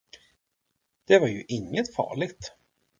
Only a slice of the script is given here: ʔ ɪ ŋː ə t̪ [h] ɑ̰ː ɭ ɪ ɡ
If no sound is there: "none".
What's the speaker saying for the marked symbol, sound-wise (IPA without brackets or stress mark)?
f